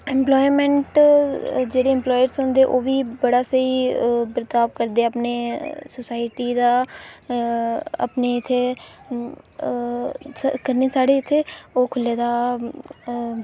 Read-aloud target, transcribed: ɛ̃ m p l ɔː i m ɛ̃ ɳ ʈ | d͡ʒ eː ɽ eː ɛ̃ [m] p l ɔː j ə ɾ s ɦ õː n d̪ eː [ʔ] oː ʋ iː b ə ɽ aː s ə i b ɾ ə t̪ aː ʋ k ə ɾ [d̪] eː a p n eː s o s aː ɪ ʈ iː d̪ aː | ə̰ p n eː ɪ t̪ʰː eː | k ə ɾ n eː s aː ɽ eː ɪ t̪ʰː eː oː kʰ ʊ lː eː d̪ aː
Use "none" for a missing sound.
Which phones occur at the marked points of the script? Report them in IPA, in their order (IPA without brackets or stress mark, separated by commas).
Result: m, ʔ, d̪